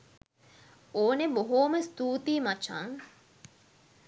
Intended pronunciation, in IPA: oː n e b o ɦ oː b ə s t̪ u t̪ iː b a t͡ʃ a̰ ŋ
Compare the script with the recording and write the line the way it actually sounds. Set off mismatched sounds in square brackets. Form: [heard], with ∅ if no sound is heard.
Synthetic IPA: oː n e b o ɦ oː [m] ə s t̪ [uː] t̪ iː [m] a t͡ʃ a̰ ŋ